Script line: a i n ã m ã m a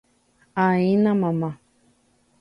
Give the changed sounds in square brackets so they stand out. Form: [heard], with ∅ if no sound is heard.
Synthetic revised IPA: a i n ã m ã m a